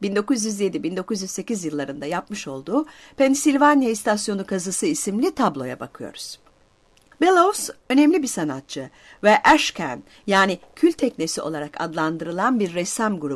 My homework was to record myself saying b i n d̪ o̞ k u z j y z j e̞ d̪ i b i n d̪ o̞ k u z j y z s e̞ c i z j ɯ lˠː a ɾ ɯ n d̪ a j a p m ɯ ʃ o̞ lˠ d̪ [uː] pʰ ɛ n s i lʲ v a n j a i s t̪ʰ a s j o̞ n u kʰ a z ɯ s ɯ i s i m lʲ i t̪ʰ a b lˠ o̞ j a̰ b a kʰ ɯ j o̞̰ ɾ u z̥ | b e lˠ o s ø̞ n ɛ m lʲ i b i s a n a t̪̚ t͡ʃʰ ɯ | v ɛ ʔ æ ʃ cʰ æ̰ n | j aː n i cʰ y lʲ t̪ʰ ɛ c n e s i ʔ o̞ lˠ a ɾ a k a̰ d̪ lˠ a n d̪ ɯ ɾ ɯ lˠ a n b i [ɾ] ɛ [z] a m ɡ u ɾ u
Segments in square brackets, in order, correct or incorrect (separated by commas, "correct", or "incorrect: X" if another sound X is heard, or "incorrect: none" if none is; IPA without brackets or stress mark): correct, incorrect: ɾː, incorrect: s